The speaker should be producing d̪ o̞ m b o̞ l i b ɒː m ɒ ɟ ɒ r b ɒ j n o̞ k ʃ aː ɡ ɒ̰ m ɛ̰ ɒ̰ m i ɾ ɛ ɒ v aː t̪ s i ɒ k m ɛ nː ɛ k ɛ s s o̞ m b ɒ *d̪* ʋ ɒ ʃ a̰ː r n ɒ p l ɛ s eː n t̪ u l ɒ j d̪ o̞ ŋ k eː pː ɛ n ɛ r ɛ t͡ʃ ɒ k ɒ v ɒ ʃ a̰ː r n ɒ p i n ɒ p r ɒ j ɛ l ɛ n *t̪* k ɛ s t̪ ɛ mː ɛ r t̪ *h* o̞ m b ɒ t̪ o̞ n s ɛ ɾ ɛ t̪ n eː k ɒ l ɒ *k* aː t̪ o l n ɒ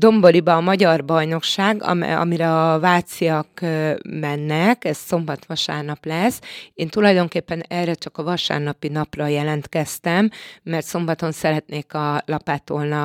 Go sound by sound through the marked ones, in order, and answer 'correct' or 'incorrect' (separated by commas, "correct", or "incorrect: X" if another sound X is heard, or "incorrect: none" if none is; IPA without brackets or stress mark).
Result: incorrect: t̪, correct, incorrect: s, incorrect: p